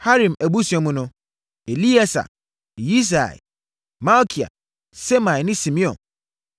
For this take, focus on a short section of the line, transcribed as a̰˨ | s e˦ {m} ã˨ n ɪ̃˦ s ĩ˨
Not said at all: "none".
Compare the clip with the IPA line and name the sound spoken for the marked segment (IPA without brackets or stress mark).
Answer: m